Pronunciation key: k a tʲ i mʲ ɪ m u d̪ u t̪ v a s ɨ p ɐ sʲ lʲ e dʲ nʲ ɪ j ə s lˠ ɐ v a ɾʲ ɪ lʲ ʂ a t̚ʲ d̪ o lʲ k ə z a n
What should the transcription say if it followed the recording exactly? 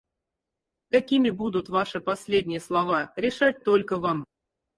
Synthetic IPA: k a kʲ i mʲ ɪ b u d̪ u t̪ v a ʂ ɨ p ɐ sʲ lʲ e dʲ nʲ ɪ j ə s lˠ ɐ v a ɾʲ ɪ ʂ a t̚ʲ t̪ o lʲ k ə v a m

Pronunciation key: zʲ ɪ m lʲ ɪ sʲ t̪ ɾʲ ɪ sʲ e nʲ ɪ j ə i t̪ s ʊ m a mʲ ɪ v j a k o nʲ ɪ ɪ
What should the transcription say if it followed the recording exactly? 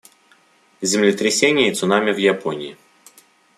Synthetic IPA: zʲ ɪ m lʲ ɪ t̪ ɾʲ ɪ sʲ e nʲ ɪ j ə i t̪ s ʊ n a mʲ ɪ v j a p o nʲ ɪ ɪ

